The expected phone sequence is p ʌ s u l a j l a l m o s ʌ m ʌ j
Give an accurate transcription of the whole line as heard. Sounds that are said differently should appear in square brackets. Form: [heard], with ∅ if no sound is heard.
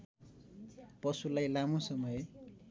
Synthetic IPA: p ʌ s u l a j l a [∅] m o s ʌ m ʌ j